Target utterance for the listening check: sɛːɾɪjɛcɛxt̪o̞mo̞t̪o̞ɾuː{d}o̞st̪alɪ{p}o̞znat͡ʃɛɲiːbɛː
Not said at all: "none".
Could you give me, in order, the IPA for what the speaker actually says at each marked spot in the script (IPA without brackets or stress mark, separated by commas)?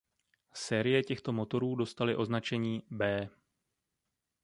d, ʔ